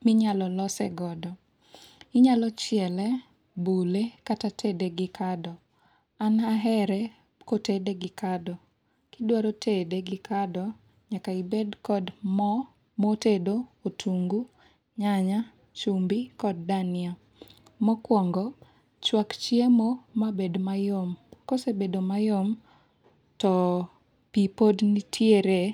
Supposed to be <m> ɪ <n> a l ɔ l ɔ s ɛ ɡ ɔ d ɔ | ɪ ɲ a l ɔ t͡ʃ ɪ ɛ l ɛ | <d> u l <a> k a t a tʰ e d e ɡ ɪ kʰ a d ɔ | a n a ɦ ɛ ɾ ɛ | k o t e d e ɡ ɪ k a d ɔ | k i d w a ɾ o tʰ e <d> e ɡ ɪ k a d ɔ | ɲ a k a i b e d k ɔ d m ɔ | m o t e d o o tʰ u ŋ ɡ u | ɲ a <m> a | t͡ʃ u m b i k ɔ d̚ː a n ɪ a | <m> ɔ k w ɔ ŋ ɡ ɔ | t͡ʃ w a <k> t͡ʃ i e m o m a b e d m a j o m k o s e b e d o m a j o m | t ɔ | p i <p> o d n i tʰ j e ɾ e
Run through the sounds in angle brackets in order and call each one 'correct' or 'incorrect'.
correct, incorrect: ɲ, incorrect: b, incorrect: e, correct, incorrect: ɲ, correct, correct, correct

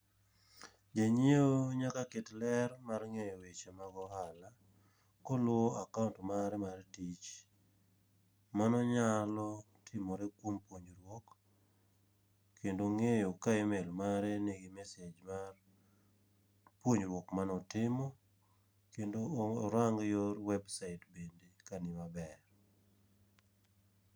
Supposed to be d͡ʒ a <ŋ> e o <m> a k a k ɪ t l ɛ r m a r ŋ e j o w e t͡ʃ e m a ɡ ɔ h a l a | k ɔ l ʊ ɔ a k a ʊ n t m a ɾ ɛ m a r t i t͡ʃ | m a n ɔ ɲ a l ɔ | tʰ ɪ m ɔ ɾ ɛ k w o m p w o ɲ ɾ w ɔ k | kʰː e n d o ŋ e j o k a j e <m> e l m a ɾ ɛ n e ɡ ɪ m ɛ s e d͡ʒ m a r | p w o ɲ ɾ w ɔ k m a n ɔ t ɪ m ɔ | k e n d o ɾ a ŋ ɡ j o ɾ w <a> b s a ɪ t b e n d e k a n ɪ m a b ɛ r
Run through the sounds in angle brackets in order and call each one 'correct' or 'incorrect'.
incorrect: ɲ, incorrect: ɲ, correct, incorrect: ɛ

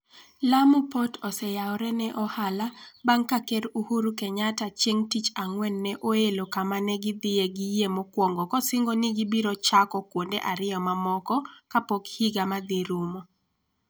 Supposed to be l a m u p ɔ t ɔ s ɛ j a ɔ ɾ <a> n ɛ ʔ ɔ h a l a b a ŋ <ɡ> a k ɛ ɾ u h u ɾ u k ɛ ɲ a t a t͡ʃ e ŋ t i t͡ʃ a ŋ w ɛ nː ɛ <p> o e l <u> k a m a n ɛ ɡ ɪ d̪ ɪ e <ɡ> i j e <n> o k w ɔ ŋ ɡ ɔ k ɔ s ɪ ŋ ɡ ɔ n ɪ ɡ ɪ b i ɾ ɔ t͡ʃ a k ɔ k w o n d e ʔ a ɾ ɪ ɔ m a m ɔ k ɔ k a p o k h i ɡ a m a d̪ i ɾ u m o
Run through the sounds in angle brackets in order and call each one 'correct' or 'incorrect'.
incorrect: ɛ, incorrect: k, incorrect: ʔ, incorrect: o, correct, incorrect: m

